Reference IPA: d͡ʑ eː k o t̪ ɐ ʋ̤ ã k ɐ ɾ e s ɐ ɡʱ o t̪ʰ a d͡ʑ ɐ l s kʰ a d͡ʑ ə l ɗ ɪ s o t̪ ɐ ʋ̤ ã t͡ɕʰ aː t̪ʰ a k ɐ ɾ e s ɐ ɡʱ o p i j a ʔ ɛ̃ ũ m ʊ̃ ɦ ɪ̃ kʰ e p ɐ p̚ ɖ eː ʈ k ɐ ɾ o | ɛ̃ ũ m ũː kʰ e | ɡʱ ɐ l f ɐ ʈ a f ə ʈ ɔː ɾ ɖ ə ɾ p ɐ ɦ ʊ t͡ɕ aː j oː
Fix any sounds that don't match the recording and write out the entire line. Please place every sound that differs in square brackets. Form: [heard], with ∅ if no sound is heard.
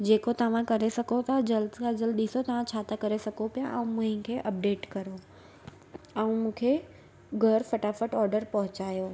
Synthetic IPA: d͡ʑ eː k o t̪ ɐ ʋ̤ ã k ɐ ɾ e s ɐ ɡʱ o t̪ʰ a d͡ʑ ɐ l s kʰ a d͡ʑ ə l ɗ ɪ s o t̪ ɐ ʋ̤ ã t͡ɕʰ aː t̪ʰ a k ɐ ɾ e s ɐ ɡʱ o p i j a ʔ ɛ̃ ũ m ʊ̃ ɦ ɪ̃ kʰ e [ʔ] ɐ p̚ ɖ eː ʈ k ɐ ɾ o | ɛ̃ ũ m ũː kʰ e | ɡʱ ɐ [ɾ] f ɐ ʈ a f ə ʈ ɔː ɾ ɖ ə ɾ p ɐ ɦ ʊ t͡ɕ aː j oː